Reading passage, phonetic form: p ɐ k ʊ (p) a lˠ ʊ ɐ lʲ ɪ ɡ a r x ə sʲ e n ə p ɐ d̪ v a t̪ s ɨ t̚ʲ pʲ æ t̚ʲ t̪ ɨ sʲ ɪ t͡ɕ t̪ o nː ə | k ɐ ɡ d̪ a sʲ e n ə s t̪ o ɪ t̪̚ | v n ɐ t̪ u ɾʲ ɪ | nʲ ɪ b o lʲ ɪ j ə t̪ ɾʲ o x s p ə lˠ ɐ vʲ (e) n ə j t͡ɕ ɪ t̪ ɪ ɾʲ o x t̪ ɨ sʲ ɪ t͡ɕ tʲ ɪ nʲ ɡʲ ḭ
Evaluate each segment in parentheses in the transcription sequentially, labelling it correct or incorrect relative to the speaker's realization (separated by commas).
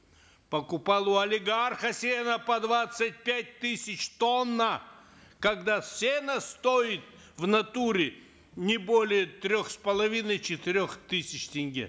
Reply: correct, incorrect